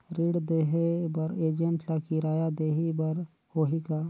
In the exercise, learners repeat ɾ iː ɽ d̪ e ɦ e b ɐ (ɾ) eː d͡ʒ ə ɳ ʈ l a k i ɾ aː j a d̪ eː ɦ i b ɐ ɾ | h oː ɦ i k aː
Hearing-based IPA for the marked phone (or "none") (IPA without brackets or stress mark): ɾ